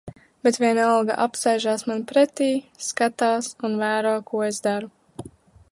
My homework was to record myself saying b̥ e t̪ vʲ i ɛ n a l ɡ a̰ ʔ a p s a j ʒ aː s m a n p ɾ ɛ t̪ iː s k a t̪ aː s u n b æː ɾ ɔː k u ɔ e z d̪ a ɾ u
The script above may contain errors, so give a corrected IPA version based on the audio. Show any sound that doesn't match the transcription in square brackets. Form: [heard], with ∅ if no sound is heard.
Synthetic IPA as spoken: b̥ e t̪ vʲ i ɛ n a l ɡ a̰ ʔ a p s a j ʒ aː s m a n p ɾ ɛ t̪ iː s k a t̪ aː s u n [v] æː ɾ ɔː k u ɔ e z d̪ a ɾ u